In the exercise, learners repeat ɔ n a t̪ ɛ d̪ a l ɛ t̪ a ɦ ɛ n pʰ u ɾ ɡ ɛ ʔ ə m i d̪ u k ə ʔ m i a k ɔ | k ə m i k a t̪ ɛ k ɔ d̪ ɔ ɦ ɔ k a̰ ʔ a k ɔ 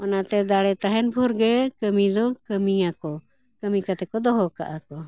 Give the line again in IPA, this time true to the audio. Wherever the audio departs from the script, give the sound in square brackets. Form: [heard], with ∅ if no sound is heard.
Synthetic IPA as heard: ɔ n a t̪ ɛ d̪ a [ɽ] ɛ t̪ a ɦ ɛ n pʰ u ɾ ɡ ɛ [k] ə m i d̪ [ɔ] k ə [∅] m i a k ɔ | k ə m i k a t̪ ɛ k ɔ d̪ ɔ ɦ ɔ k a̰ ʔ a k ɔ